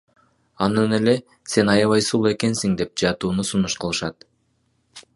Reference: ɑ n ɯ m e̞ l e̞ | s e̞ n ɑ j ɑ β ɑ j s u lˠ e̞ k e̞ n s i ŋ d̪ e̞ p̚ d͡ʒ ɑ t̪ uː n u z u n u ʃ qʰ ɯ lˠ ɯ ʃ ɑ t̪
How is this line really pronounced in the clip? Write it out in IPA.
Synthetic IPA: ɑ n ɯ n e̞ l e̞ | s e̞ n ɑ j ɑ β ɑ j s u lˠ e̞ k e̞ n s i ŋ d̪ e̞ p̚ d͡ʒ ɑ t̪ uː n u s u n u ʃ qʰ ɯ lˠ ɯ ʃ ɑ t̪